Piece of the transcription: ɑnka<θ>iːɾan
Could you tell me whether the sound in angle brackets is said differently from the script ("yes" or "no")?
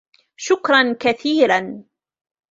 no